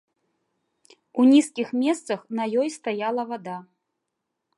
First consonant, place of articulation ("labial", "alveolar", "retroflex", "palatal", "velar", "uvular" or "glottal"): alveolar